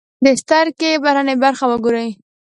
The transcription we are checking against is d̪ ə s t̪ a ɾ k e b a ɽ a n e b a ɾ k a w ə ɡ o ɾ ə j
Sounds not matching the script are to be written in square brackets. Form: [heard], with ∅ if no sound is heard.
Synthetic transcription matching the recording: d̪ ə s t̪ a ɾ k e b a [ɾ] a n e b a ɾ [x] a w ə ɡ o ɾ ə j